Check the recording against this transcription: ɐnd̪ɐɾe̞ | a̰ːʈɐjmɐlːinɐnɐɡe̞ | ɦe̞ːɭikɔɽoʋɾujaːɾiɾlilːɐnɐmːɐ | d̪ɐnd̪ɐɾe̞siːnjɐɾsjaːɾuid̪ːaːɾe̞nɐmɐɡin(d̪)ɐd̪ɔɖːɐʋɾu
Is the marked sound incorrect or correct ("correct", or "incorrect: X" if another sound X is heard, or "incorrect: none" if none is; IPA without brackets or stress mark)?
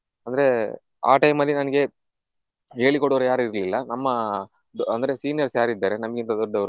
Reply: incorrect: t̪